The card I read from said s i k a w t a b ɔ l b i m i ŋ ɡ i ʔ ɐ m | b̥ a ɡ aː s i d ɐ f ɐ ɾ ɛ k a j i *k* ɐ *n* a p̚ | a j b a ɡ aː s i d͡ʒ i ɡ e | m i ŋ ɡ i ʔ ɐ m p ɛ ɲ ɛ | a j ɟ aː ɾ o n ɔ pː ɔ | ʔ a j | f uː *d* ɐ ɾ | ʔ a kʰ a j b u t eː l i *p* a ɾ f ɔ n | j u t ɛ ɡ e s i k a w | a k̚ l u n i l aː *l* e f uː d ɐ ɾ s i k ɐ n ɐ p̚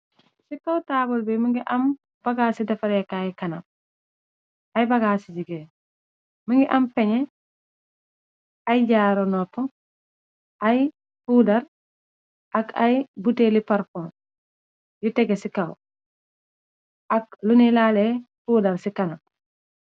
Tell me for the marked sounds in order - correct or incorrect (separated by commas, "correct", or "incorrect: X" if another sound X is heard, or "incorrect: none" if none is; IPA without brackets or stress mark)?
correct, correct, correct, correct, correct